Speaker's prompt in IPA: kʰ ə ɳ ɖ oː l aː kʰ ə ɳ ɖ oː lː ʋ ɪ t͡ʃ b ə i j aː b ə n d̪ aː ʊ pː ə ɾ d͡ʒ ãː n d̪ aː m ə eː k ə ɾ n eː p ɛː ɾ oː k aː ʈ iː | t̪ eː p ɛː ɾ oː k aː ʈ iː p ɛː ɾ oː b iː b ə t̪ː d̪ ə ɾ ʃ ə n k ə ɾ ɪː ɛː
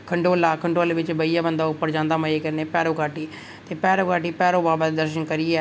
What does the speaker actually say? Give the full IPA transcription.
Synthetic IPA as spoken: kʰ ə ɳ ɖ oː l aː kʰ ə ɳ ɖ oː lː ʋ ɪ t͡ʃ b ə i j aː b ə n d̪ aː ʊ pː ə ɾ d͡ʒ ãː n d̪ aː m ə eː k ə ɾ n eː p ɛː ɾ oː k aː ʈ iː | t̪ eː p ɛː ɾ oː k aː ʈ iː p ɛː ɾ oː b aː b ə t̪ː d̪ ə ɾ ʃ ə n k ə ɾ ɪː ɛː